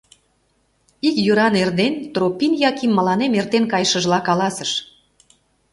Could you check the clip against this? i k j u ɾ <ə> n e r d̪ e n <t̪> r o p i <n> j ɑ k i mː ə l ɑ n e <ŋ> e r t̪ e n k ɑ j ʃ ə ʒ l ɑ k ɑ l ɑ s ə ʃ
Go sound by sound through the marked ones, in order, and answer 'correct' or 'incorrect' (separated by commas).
incorrect, correct, correct, incorrect